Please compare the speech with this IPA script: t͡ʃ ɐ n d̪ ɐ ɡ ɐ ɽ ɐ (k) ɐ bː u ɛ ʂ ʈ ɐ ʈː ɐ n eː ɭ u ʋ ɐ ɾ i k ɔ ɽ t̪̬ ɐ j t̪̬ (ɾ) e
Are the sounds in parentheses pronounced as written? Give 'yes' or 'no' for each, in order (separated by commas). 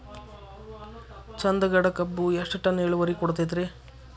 yes, yes